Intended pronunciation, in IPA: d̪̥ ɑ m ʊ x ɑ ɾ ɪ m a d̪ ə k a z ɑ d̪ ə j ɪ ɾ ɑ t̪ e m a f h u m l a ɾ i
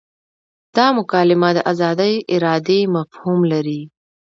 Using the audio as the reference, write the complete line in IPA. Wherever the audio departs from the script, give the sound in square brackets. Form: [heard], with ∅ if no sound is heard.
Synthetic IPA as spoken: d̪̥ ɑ m ʊ [k] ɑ [l] ɪ m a d̪ ə [ʔ] a z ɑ d̪ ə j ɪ ɾ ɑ [d̪] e m a f h u m l a ɾ i